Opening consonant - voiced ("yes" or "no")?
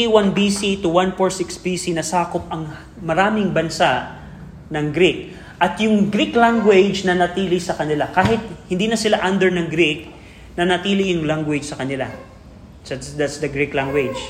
yes